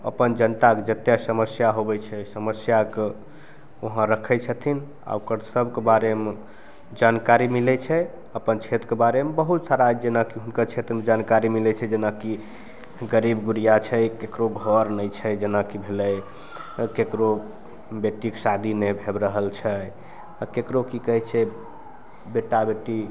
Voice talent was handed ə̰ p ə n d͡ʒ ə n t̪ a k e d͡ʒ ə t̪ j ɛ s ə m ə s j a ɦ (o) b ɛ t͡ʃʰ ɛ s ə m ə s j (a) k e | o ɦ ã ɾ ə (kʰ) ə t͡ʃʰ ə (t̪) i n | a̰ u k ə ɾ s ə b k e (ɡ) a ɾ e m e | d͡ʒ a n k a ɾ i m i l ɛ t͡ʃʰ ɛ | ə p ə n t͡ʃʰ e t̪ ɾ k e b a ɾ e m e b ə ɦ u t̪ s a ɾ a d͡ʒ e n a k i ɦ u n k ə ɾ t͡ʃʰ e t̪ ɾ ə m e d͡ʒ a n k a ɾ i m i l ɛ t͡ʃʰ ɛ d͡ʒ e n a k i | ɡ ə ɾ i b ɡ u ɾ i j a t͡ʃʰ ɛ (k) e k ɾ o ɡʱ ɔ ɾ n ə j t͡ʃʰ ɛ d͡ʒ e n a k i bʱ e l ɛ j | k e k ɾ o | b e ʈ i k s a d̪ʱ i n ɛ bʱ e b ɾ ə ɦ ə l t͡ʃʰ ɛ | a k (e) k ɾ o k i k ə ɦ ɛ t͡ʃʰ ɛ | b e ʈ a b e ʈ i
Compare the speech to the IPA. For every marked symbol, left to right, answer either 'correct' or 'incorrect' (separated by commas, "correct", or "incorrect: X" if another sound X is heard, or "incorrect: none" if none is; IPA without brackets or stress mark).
correct, correct, correct, incorrect: t̪ʰ, incorrect: b, correct, correct